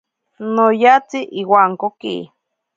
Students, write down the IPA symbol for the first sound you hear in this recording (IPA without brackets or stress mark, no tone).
n